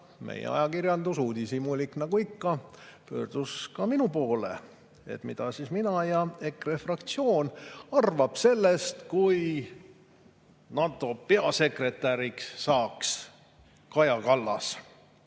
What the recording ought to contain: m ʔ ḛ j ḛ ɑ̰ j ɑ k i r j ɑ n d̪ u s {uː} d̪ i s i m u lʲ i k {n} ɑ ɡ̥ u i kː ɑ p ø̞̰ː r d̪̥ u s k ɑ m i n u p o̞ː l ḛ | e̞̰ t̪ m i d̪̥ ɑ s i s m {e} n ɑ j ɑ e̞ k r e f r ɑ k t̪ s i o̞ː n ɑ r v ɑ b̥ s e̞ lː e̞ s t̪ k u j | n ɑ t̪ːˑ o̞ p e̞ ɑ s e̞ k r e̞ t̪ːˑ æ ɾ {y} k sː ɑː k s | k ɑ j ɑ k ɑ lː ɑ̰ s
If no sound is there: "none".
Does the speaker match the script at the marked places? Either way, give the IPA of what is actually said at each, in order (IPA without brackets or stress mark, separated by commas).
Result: uː, n, i, i